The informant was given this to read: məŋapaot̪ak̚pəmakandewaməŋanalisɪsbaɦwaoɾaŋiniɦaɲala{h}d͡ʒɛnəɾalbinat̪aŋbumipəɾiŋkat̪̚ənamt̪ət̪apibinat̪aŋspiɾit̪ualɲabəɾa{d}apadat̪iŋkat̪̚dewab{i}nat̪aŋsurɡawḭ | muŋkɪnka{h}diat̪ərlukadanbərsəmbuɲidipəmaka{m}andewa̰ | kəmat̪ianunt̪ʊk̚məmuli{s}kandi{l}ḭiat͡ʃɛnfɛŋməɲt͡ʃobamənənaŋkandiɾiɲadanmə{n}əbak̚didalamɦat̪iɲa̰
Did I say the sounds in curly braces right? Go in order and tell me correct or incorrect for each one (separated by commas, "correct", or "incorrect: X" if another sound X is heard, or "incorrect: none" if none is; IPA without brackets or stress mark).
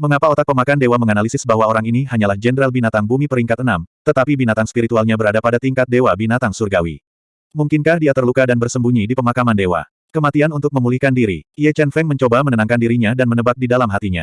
correct, correct, correct, correct, correct, incorrect: h, incorrect: ɾ, correct